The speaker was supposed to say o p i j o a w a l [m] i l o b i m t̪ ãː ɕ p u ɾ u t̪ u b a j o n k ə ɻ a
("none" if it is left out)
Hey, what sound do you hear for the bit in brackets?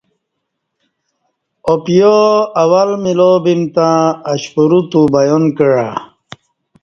m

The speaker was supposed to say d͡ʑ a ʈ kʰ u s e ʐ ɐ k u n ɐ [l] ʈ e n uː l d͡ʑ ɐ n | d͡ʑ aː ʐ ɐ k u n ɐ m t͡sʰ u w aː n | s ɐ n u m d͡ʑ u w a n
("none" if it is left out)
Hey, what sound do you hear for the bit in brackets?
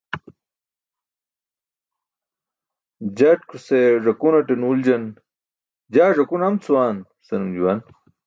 none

